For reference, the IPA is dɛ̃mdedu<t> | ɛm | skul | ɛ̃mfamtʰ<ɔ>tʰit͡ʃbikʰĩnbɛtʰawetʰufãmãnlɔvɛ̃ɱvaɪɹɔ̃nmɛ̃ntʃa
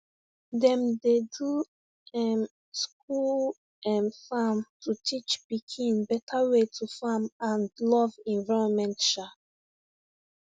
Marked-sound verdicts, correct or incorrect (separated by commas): incorrect, incorrect